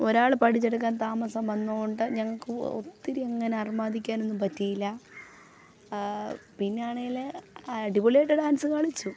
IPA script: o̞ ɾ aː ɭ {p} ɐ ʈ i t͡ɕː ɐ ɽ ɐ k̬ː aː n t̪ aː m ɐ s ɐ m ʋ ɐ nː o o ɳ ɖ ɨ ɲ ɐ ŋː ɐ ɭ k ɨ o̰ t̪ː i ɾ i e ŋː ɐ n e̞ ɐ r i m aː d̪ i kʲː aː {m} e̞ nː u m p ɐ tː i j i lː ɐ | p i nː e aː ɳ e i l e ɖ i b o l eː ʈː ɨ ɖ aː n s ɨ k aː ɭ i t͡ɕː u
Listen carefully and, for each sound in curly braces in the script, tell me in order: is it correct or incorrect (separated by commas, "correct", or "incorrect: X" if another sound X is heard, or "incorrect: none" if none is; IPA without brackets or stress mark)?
correct, incorrect: n